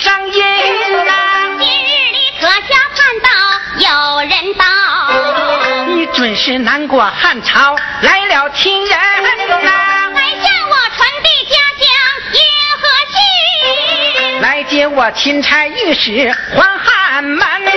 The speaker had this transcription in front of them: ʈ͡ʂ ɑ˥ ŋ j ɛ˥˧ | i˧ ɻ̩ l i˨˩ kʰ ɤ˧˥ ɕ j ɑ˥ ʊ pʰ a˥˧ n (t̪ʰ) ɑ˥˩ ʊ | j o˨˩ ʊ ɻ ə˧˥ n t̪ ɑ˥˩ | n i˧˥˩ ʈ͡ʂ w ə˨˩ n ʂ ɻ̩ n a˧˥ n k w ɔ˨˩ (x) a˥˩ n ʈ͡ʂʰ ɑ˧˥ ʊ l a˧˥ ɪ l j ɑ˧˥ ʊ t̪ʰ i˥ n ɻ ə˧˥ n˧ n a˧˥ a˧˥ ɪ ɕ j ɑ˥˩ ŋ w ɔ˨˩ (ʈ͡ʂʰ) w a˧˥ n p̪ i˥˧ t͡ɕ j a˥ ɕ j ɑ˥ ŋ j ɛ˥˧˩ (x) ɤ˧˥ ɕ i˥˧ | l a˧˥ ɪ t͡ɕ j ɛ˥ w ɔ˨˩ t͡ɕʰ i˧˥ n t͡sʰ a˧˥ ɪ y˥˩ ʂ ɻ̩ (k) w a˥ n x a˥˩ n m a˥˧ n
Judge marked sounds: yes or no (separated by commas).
no, yes, yes, yes, no